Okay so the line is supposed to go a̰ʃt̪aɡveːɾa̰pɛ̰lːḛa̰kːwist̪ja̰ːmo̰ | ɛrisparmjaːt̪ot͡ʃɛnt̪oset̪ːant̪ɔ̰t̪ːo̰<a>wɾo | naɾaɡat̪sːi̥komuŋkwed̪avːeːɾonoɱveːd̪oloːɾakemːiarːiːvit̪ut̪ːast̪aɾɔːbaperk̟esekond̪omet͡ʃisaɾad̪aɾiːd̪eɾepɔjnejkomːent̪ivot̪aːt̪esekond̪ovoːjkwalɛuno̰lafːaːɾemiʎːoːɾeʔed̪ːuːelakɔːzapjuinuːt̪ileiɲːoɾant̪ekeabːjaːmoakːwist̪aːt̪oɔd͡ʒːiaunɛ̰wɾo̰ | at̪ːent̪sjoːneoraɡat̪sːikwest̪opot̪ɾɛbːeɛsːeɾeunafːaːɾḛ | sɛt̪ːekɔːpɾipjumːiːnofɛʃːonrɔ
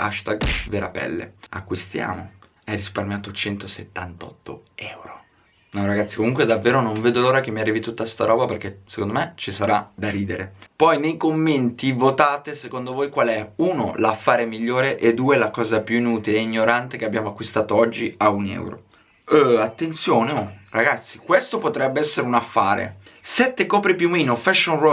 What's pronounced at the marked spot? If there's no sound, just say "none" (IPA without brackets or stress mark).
ɛ